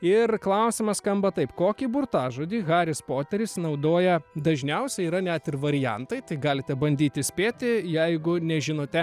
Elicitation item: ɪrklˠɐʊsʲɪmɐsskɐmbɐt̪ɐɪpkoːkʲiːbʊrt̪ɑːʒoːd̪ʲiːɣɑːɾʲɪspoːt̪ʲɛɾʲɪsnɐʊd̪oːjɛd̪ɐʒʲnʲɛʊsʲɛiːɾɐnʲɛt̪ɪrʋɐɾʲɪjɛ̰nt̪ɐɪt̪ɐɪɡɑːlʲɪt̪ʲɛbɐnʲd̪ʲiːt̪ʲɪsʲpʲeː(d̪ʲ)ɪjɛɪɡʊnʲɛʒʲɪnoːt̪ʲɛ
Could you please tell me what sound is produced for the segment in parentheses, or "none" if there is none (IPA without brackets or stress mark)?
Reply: t̪ʲ